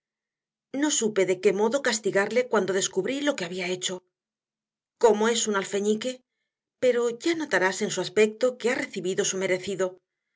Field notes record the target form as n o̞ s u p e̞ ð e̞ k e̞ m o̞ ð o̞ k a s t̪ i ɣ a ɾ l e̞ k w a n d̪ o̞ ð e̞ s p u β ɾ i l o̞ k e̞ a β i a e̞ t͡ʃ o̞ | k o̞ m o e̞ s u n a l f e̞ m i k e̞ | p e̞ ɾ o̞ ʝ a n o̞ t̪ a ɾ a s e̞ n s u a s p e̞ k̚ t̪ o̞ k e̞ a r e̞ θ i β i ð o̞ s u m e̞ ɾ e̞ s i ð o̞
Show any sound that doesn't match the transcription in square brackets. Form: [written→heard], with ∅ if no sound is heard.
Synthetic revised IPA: n o̞ s u p e̞ ð e̞ k e̞ m o̞ ð o̞ k a s t̪ i ɣ a ɾ l e̞ k w a n d̪ o̞ ð e̞ s [p→k] u β ɾ i l o̞ k e̞ a β i a e̞ t͡ʃ o̞ | k o̞ m o e̞ s u n a l f e̞ [m→ɲ] i k e̞ | p e̞ ɾ o̞ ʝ a n o̞ t̪ a ɾ a s e̞ n s u a s p e̞ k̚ t̪ o̞ k e̞ a r e̞ θ i β i ð o̞ s u m e̞ ɾ e̞ [s→θ] i ð o̞